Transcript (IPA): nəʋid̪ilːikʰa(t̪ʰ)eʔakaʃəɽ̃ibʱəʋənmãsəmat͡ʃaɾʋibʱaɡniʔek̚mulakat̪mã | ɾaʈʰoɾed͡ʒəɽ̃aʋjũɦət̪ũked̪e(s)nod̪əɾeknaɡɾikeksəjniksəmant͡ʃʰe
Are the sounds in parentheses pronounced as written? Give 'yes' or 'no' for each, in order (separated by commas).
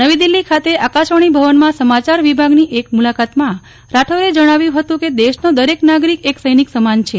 no, no